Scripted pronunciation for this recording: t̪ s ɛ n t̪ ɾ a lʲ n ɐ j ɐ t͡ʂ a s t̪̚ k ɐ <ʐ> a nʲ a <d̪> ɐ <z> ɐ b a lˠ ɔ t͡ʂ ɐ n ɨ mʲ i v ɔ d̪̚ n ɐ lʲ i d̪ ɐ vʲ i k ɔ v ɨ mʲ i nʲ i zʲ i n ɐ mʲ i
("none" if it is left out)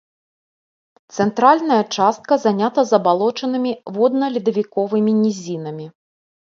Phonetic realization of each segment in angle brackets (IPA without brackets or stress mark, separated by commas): z, t̪, z